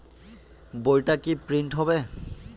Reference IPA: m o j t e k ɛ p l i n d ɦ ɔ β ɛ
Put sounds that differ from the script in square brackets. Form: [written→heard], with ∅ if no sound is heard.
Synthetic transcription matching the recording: [m→b] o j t [e→a] k [ɛ→i] p [l→ɹ] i n [d→t] ɦ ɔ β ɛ